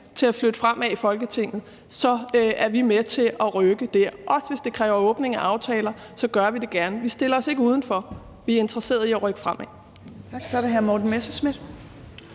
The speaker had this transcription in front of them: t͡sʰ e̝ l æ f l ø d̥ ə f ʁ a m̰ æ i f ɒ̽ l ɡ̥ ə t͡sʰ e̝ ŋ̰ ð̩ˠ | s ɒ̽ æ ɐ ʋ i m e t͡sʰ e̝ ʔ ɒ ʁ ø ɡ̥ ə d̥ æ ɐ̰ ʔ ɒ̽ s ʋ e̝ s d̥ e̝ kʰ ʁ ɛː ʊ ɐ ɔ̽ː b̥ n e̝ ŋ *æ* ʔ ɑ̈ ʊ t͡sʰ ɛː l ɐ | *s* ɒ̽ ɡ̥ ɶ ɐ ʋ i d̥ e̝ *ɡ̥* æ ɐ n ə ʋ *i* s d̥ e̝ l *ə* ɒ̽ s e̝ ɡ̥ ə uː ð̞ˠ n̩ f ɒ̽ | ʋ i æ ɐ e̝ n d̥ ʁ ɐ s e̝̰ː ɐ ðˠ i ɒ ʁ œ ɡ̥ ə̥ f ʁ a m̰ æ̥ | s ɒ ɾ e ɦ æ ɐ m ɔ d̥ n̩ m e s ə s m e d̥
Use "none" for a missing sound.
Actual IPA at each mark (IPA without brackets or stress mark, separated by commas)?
æ, s, ɡ̥, i, ɐ